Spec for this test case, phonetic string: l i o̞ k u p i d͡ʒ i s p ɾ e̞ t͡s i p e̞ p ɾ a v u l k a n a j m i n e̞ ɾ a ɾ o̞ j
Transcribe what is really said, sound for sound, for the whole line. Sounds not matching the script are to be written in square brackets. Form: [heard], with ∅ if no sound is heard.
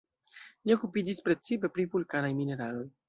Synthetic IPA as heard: l i o̞ k u p i d͡ʒ i s p ɾ e̞ t͡s i p e̞ p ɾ [i] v u l k a n a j m i n e̞ ɾ a [l] o̞ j